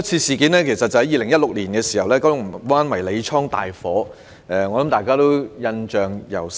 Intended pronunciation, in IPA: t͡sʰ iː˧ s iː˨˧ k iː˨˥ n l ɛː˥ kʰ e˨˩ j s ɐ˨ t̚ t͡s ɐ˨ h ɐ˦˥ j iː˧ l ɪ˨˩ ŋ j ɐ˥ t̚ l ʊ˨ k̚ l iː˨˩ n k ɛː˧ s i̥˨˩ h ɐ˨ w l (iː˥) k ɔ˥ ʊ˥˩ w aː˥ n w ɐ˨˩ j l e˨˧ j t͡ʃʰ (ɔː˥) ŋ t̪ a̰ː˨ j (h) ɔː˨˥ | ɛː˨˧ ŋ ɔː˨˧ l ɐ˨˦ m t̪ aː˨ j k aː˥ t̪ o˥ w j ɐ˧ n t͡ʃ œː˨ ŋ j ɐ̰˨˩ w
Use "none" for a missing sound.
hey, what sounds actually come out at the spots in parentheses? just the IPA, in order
ɛː˥, ɔː˥, f

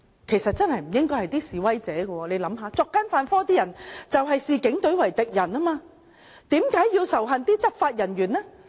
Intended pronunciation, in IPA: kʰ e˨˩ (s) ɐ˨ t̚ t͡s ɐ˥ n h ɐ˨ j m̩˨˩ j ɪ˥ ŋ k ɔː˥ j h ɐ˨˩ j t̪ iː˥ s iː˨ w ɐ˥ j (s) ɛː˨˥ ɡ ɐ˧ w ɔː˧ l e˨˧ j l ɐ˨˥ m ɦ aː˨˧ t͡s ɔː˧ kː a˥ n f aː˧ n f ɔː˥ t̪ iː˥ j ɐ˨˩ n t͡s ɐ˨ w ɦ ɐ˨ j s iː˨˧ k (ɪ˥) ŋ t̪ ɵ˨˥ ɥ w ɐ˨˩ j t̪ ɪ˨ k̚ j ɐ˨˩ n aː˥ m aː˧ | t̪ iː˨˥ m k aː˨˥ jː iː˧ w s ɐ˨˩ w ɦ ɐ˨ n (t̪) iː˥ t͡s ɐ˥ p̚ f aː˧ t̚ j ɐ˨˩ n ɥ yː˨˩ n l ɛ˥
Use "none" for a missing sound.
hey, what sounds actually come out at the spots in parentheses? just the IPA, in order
s, t͡s, ɪ˨˥, t̪

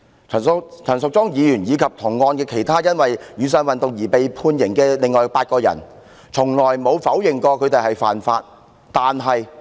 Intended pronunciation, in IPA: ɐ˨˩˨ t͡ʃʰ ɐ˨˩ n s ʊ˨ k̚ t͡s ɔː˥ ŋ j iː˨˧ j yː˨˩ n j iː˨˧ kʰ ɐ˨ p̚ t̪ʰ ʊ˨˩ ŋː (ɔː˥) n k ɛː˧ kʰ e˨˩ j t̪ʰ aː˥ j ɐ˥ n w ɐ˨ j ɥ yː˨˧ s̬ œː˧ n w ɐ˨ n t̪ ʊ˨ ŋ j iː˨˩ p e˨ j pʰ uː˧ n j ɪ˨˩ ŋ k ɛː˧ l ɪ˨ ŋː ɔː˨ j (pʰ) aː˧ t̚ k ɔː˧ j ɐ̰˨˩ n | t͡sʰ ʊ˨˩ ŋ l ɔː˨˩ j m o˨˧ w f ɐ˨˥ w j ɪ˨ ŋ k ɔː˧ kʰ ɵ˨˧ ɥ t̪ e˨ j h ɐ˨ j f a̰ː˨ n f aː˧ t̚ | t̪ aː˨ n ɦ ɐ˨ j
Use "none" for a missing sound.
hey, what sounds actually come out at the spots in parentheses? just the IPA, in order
ɔː˧, p

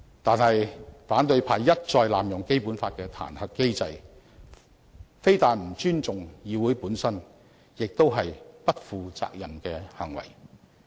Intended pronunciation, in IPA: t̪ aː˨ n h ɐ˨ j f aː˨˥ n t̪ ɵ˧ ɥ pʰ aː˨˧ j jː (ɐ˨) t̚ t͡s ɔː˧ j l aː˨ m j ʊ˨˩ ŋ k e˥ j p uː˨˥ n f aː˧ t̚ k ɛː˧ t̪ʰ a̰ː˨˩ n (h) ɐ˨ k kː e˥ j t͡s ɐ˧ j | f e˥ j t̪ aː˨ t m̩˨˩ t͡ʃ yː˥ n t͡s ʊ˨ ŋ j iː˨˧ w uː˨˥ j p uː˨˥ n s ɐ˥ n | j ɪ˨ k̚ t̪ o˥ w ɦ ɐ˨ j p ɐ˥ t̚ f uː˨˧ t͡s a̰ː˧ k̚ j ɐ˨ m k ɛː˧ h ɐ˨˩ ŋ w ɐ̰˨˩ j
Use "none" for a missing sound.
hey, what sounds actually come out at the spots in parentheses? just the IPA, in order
ɐ˥, h

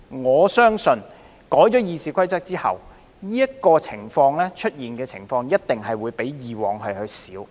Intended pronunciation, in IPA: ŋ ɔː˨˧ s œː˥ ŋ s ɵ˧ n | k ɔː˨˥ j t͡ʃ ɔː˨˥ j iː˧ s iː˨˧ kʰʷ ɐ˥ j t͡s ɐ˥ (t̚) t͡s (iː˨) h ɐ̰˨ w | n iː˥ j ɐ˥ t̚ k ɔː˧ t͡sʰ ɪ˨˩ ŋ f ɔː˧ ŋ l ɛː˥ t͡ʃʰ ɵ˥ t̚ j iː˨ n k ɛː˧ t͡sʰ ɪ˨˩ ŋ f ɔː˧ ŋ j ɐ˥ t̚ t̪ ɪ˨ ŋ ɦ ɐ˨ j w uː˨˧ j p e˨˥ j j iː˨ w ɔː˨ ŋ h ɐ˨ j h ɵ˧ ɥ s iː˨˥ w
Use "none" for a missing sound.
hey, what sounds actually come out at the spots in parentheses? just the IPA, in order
k̚, iː˥

